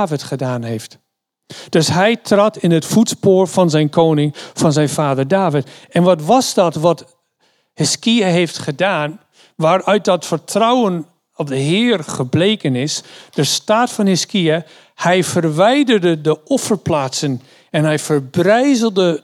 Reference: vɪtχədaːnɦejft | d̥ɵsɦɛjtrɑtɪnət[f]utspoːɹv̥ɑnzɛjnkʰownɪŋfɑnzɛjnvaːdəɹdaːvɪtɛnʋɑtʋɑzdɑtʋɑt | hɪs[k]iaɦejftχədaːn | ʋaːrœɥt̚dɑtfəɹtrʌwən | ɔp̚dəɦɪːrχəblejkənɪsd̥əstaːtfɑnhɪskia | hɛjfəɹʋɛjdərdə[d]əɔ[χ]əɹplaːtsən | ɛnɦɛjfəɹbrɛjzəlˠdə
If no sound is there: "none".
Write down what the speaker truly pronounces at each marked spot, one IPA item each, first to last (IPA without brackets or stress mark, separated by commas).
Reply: f, k, d, f